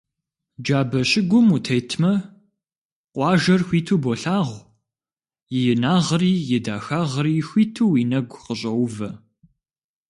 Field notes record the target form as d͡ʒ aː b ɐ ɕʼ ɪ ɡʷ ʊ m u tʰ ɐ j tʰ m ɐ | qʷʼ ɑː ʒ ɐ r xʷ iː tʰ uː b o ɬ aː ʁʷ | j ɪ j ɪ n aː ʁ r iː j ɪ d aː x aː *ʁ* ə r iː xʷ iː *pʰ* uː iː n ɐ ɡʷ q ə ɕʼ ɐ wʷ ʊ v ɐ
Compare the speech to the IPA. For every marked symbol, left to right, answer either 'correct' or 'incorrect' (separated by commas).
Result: correct, incorrect